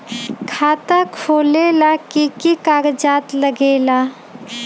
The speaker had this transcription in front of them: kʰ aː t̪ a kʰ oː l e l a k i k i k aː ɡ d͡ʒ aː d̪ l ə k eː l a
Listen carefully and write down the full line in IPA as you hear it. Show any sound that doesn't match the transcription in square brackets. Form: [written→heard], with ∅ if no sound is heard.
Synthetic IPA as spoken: kʰ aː t̪ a kʰ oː l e l a k i k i k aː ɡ d͡ʒ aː [d̪→t̪] l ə [k→ɡ] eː l a

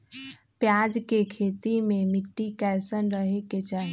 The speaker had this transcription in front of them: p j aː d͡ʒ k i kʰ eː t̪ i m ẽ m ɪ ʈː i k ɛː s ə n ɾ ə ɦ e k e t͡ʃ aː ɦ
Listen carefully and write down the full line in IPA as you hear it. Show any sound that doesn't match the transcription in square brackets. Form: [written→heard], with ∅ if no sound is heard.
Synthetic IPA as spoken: p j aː d͡ʒ k [i→e] kʰ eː t̪ i m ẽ m ɪ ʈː i k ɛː s ə n ɾ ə ɦ e k e t͡ʃ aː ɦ

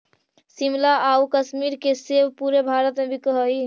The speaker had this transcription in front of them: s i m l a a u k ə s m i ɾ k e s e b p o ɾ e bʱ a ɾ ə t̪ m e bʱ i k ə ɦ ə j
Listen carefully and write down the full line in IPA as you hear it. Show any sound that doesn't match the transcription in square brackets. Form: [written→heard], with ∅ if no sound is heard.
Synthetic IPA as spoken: s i m l a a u k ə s m i ɾ k e s e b p [o→u] ɾ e bʱ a ɾ ə t̪ m e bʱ i k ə ɦ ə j

